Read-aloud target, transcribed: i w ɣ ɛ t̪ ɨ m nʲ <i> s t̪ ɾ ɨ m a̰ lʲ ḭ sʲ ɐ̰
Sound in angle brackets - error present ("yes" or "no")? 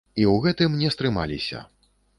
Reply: yes